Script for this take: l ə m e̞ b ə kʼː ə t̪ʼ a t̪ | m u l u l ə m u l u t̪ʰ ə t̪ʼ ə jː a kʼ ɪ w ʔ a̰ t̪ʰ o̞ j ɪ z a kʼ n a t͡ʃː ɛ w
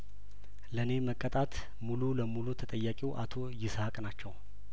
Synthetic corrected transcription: l ə n e̞ m ə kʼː ə t̪ʼ a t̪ | m u l u l ə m u l u t̪ʰ ə t̪ʼ ə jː a kʼ i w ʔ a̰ t̪ʰ o̞ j ɪ s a kʼ n a t͡ʃː ɛ w